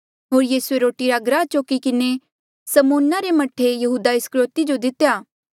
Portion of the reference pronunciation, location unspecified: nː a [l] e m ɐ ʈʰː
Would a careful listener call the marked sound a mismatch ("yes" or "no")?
yes